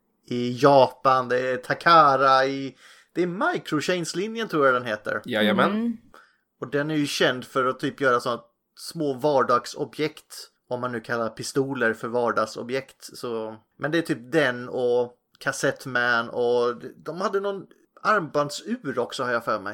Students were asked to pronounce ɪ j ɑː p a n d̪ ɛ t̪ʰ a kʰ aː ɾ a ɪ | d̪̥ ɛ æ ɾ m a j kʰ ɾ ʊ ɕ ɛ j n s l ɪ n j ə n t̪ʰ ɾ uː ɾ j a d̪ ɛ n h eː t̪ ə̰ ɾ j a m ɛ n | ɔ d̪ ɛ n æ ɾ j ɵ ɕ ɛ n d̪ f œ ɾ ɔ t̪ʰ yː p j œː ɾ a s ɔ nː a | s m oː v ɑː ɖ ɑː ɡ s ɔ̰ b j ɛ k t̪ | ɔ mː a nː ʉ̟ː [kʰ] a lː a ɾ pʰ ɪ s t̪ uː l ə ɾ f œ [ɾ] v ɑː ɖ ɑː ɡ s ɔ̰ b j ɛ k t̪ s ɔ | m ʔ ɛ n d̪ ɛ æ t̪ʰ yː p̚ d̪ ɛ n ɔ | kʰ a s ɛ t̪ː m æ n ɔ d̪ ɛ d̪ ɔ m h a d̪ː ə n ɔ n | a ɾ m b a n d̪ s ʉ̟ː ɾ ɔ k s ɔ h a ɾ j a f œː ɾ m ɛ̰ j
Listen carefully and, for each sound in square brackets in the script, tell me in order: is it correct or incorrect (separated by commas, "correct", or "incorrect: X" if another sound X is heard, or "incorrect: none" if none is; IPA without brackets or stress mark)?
correct, correct